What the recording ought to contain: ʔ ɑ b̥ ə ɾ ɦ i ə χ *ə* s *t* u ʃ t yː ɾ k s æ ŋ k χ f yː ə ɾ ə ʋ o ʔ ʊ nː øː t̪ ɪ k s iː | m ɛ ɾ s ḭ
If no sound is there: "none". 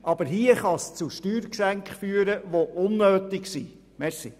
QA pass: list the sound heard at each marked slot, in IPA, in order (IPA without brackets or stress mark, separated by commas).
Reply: ɑ, t͡s